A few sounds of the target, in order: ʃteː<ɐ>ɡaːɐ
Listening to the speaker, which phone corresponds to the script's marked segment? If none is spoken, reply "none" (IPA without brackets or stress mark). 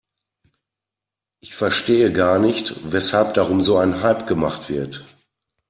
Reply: ə